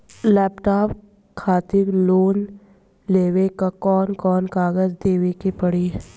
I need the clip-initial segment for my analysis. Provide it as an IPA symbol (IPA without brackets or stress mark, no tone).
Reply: l